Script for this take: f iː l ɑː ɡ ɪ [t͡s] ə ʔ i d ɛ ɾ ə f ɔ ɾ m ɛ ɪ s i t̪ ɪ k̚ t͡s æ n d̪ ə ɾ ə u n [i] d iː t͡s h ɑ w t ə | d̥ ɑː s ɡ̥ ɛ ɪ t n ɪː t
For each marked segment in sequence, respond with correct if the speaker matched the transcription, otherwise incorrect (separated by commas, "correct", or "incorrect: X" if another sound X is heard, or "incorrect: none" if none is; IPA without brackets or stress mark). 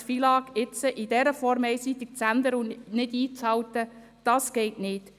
correct, incorrect: ɪ